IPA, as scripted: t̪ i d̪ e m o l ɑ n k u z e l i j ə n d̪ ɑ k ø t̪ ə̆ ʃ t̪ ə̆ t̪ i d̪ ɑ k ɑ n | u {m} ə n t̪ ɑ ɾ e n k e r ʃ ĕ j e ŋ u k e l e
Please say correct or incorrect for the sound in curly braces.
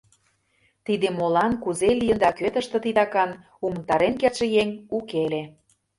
correct